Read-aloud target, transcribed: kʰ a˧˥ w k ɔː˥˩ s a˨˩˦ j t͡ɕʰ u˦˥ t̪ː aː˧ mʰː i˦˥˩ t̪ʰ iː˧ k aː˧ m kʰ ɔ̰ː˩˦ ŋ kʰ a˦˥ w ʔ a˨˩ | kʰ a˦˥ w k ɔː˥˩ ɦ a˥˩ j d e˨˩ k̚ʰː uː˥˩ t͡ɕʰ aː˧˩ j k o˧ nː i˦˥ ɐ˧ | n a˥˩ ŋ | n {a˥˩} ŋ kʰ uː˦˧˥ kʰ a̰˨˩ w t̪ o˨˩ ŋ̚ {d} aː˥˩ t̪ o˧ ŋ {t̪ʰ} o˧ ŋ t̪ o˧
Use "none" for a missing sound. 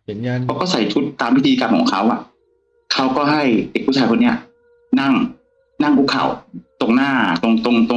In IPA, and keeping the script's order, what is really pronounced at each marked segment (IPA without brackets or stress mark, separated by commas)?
a˥˩, n, t̪